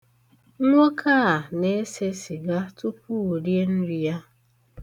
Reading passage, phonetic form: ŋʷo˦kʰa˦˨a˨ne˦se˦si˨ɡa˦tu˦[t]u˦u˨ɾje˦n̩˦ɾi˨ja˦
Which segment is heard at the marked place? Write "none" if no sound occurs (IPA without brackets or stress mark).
p